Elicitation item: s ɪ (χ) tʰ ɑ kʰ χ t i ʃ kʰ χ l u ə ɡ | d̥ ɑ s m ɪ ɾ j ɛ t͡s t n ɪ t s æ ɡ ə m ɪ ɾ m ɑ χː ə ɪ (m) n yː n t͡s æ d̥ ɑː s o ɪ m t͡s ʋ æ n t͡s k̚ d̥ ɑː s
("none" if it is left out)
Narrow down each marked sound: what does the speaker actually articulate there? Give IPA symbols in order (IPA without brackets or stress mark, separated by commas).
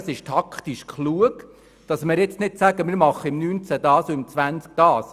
ʃ, m